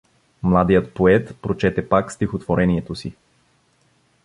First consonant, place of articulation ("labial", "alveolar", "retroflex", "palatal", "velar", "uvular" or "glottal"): labial